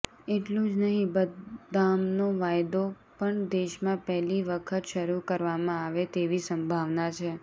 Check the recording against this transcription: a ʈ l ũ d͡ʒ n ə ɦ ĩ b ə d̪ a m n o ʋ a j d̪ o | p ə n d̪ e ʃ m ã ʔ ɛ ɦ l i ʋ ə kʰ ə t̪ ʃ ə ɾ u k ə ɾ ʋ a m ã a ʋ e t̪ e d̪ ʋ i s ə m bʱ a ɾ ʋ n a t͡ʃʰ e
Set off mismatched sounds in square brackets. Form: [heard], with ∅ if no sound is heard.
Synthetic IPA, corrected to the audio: [e] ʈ l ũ d͡ʒ n ə ɦ ĩ b ə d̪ a m n o ʋ a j d̪ o | p ə [ɳ] d̪ e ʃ m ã [p] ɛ ɦ l i ʋ ə kʰ ə t̪ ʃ ə ɾ u k ə ɾ ʋ a m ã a ʋ e t̪ e [∅] ʋ i s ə m bʱ a [∅] ʋ n a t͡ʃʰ e